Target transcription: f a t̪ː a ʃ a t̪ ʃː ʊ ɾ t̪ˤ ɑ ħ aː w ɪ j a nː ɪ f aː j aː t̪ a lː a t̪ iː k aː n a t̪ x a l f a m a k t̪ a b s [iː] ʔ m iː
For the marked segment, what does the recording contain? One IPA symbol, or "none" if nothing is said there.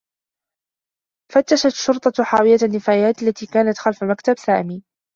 aː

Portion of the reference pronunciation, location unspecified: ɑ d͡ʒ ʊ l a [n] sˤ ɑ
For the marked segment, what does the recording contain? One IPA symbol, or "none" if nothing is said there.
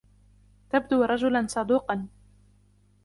n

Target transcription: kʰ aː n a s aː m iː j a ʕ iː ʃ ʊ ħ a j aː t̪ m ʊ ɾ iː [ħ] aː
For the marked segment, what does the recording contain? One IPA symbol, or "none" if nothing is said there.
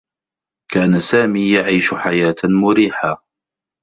ħ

